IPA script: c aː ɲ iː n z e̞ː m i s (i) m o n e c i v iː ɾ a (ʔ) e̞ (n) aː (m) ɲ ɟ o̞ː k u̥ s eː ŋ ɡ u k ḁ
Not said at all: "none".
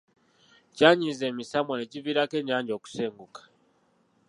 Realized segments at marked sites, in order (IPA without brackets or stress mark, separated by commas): a, k, ɲ, none